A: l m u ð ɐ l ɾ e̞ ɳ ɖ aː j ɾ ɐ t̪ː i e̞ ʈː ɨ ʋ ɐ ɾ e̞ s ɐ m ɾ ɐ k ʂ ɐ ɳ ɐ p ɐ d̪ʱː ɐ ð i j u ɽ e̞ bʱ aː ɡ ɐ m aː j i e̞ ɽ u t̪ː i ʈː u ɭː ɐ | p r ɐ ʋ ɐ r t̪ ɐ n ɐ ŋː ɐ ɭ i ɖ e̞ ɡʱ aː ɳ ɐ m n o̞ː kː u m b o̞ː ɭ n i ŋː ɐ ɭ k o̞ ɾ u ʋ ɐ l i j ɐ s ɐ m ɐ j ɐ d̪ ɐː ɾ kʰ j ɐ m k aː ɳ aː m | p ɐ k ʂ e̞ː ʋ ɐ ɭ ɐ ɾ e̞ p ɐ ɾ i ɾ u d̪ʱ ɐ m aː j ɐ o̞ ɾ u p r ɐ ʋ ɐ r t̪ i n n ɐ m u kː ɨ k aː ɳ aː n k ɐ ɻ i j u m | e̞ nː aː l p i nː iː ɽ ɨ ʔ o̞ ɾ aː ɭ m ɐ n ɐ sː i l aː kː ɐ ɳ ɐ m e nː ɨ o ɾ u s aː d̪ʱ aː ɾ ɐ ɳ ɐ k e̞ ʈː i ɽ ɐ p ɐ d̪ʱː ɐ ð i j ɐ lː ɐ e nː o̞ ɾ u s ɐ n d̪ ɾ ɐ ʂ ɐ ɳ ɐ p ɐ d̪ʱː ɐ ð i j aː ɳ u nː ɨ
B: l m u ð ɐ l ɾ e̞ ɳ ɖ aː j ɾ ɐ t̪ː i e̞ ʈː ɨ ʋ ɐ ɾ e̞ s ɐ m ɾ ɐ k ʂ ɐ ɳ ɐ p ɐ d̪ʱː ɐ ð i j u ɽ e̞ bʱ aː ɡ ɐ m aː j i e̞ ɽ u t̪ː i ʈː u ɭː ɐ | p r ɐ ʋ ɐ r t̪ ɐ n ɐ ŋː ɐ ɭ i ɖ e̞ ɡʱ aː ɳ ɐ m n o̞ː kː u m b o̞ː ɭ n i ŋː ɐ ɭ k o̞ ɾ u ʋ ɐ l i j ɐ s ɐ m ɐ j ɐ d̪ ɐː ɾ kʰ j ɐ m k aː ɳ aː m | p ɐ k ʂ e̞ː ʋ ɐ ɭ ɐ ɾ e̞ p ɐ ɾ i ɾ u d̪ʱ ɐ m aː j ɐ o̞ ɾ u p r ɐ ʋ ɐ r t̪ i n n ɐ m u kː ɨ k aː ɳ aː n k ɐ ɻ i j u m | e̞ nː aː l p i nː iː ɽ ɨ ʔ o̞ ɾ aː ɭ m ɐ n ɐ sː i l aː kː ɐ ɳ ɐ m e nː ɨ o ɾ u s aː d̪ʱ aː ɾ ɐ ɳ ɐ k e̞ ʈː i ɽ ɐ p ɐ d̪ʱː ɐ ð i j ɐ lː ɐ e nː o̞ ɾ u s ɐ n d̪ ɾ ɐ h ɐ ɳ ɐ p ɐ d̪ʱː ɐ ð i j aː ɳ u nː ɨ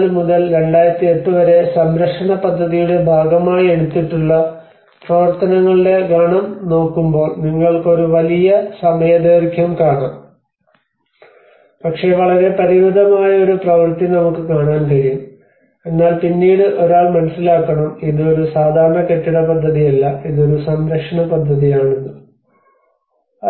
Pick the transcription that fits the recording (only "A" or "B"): A